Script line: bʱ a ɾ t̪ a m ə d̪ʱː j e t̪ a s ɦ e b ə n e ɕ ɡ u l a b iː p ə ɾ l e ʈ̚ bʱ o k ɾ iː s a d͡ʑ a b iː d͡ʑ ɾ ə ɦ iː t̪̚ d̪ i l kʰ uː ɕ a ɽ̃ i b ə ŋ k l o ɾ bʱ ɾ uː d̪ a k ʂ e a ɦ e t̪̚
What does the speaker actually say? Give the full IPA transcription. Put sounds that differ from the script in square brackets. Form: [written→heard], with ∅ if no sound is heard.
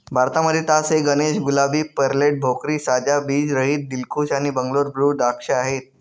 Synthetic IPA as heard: bʱ a ɾ t̪ a m ə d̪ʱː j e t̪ a s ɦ e [b→ɡ] ə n e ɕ ɡ u l a b iː p ə ɾ l e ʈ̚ bʱ o k ɾ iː s a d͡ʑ a b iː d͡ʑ ɾ ə ɦ iː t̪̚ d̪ i l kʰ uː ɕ a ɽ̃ i b ə ŋ [k→ɡ] l o ɾ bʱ ɾ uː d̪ a k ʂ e a ɦ e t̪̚